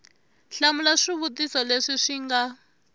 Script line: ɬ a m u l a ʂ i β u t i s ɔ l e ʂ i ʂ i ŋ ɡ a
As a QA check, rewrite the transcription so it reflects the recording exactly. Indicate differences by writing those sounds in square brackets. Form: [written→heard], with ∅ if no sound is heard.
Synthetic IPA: ɬ a m u l a ʂ i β u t i s ɔ l e ʂ i ʂ i ŋ ɡ a